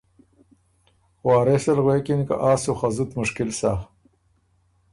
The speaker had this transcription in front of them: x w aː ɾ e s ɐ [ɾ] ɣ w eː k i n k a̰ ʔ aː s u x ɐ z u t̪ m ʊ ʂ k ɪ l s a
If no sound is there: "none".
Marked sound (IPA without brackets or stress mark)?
l